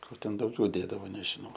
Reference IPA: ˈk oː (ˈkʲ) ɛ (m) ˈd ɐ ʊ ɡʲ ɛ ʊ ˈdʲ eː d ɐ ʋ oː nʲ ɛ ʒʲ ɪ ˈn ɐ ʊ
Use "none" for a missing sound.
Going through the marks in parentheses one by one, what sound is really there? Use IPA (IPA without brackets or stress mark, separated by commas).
tʲ, n